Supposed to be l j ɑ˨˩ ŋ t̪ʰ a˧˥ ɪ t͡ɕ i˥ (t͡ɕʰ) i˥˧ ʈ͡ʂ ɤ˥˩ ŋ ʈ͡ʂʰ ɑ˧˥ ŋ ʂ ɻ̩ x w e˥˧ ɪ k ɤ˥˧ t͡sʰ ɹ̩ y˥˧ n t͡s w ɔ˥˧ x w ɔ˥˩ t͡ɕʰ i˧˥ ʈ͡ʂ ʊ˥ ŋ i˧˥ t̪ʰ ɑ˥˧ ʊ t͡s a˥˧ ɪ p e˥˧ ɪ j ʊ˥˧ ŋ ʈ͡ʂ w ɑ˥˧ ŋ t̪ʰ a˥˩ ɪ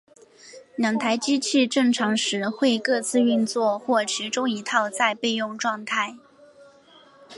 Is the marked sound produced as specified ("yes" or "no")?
yes